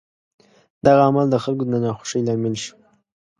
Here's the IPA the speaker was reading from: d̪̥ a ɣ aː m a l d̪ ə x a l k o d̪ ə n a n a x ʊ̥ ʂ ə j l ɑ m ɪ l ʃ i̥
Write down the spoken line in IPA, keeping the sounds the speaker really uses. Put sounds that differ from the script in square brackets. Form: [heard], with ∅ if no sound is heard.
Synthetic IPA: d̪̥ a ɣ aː m a l d̪ ə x a l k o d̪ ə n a n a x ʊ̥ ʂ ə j l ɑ m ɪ l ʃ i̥